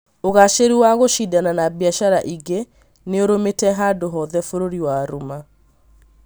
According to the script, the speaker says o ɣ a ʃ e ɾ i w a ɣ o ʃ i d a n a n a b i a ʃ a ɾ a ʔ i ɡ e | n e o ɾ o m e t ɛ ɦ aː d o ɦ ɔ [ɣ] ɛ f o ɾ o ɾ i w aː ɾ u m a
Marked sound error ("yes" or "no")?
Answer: yes